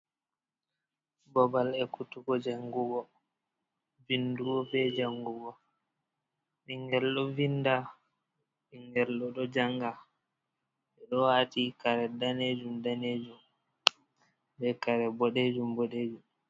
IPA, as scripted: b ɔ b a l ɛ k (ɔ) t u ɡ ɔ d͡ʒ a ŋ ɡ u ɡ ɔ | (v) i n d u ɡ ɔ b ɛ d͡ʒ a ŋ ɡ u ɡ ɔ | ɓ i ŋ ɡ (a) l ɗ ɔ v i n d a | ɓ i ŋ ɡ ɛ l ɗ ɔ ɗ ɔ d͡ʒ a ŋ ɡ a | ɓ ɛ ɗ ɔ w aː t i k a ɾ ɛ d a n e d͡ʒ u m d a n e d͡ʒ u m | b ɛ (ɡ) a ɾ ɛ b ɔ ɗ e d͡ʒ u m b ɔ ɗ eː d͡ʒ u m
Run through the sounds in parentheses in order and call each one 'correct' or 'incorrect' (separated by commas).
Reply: incorrect, correct, incorrect, incorrect